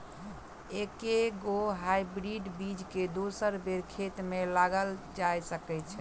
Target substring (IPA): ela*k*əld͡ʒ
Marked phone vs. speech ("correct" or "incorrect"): incorrect